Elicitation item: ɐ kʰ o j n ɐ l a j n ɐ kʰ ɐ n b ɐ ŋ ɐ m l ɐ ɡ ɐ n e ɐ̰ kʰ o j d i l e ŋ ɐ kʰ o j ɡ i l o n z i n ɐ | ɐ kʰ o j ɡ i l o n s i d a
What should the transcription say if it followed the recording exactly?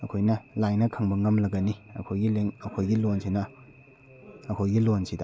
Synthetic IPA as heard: ɐ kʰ o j n ɐ l a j n ɐ kʰ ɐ ŋ b ɐ ŋ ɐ m l ɐ ɡ ɐ n i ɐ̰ kʰ o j ɡ i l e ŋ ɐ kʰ o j ɡ i l o n s i n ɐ | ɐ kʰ o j ɡ i l o n s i d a

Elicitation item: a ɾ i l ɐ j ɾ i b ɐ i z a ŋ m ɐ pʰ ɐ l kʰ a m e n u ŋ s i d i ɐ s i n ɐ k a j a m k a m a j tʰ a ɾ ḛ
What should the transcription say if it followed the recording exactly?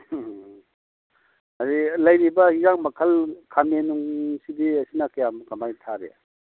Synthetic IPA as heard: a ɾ i l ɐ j ɾ i b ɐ i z a ŋ m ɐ kʰ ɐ l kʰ a m e n u ŋ s i d i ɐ s i n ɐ k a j a m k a m a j tʰ a ɾ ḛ

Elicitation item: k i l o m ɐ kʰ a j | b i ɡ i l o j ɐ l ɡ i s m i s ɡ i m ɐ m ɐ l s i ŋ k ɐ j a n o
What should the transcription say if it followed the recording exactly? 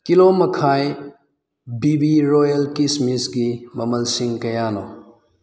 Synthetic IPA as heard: k i l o m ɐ kʰ a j | b i b i ɾ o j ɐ l k i s m i s ɡ i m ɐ m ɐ l s i ŋ k ɐ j a n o

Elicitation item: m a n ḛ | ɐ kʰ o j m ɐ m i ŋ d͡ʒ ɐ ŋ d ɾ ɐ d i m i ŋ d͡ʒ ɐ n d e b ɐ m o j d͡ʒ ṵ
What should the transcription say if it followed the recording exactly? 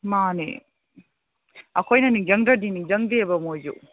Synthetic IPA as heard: m a n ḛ | ɐ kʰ o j n ɐ n i ŋ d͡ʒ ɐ ŋ d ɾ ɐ d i n i ŋ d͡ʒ ɐ ŋ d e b ɐ m o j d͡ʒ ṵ

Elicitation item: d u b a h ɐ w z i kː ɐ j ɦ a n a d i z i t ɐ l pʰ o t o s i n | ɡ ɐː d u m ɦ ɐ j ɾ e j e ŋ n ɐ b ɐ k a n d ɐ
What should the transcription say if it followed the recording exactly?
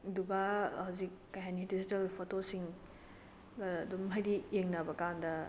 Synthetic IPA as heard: d u b a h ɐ w z i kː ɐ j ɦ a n i d i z i t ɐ l pʰ o t o s i ŋ | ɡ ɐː d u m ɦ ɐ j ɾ i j e ŋ n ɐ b ɐ k a n d ɐ

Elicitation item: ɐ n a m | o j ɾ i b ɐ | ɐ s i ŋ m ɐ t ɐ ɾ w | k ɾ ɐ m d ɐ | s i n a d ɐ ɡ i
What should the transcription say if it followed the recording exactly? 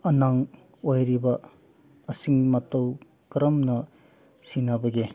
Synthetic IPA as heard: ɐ n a ŋ | o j ɾ i b ɐ | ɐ s i ŋ m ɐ t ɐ w | k ɾ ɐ m n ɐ | s i n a b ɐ ɡ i

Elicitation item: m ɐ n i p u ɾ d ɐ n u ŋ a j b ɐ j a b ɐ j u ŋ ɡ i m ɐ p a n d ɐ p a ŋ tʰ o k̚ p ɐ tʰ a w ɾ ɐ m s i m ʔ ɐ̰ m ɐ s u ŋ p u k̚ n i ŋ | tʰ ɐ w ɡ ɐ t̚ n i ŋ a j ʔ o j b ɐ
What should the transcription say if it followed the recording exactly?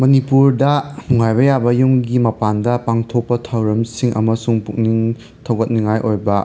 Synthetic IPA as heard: m ɐ n i p u ɾ d ɐ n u ŋ a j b ɐ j a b ɐ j u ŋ ɡ i m ɐ p a n d ɐ p a ŋ tʰ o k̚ p ɐ tʰ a w ɾ ɐ m s i ŋ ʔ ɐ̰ m ɐ s u ŋ p u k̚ n i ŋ | tʰ ɐ w ɡ ɐ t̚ n i ŋ a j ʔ o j b ɐ

